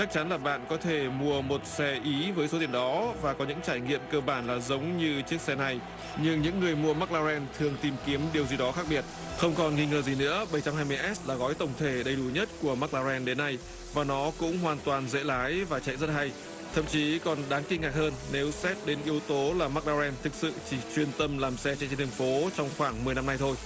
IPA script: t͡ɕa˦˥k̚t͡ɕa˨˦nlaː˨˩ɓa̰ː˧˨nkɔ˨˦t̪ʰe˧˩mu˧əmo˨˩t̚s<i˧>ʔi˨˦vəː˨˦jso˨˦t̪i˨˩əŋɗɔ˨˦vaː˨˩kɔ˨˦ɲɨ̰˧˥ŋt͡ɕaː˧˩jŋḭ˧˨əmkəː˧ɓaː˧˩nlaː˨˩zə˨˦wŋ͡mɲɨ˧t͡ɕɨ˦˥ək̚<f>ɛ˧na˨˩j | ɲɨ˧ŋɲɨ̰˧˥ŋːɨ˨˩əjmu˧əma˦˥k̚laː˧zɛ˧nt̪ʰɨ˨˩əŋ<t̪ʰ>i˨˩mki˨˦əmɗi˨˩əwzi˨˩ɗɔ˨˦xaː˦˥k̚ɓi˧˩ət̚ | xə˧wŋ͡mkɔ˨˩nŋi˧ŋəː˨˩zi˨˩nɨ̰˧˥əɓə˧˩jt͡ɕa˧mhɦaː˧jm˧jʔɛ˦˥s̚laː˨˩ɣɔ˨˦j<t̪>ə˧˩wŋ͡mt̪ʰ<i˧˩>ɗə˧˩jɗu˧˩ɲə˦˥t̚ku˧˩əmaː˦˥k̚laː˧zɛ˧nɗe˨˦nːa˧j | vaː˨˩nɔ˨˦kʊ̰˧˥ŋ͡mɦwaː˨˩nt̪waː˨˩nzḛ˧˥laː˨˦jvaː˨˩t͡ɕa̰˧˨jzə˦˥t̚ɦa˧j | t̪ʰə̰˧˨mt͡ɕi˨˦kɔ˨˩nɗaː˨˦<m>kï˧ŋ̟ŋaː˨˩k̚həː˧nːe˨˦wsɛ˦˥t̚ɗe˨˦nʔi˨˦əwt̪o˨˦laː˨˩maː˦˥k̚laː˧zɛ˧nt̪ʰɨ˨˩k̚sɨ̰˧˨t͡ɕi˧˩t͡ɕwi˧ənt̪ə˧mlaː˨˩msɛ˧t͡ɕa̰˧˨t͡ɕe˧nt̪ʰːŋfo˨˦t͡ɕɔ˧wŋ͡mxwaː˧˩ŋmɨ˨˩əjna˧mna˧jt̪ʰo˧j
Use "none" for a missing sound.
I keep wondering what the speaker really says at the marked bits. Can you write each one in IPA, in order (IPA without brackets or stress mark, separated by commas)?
ɛ˧, s, t̪, t̪, e˧˩, ŋ